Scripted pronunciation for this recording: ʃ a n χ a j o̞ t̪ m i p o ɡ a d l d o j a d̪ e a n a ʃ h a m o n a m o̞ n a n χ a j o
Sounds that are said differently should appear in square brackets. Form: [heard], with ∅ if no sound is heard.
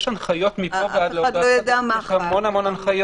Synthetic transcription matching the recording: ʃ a n χ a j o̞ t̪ m i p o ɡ a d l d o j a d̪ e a [m] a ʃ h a m o n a m o̞ n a n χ a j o